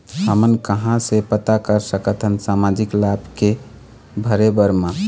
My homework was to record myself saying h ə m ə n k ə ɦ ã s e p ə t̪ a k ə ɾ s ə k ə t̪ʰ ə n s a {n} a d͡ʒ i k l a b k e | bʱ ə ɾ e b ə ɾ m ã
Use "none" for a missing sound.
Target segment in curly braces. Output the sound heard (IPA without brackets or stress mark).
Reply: m